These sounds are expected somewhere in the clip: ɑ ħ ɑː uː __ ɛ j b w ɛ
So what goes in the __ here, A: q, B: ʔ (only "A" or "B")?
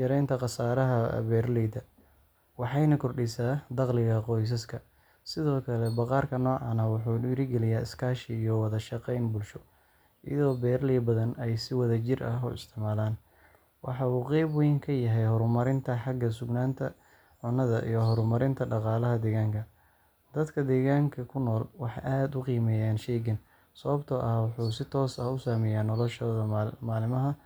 A